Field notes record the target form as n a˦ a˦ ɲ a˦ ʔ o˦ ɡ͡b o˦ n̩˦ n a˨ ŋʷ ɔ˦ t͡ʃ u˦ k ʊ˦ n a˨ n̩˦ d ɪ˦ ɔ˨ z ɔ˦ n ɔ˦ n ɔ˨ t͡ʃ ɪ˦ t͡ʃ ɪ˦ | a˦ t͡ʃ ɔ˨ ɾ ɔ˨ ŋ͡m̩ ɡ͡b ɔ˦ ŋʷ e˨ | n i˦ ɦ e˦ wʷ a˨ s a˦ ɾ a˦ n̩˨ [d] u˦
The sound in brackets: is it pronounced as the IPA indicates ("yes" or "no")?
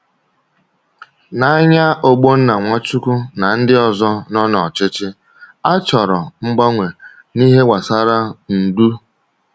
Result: yes